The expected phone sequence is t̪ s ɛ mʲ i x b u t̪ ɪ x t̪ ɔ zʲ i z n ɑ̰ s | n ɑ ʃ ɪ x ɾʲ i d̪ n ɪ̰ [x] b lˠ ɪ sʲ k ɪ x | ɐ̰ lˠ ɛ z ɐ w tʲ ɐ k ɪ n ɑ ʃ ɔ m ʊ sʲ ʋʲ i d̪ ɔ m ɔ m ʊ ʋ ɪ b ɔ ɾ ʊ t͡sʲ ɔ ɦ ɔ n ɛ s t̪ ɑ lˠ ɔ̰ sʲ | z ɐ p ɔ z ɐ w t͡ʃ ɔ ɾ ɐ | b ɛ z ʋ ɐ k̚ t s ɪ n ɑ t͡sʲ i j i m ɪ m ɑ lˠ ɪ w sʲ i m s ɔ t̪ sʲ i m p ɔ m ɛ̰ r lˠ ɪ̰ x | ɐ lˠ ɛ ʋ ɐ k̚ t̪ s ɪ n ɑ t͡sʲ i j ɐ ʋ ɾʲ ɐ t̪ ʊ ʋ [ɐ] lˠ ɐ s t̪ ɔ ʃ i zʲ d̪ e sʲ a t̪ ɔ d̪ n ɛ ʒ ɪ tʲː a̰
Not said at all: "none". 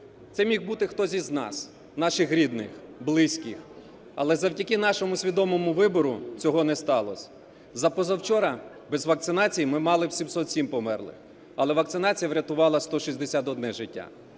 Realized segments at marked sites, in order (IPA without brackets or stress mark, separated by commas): x, ɑ